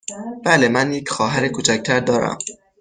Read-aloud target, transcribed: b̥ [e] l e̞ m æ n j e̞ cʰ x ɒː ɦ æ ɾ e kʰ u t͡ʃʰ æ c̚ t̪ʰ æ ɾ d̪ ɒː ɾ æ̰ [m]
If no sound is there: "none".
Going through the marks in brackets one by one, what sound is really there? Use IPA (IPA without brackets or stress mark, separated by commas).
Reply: æ, m